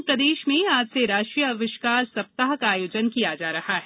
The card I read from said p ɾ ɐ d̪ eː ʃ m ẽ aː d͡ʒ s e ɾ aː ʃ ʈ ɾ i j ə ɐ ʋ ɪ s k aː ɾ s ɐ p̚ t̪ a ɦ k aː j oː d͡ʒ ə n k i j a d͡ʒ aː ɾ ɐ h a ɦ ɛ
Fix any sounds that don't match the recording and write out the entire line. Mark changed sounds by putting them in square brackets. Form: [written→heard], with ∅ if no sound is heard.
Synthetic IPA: p ɾ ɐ d̪ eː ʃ m ẽ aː d͡ʒ s e ɾ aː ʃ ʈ ɾ i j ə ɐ ʋ ɪ [s→ʃ] k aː ɾ s ɐ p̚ t̪ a ɦ k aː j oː d͡ʒ ə n k i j a d͡ʒ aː ɾ ɐ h a ɦ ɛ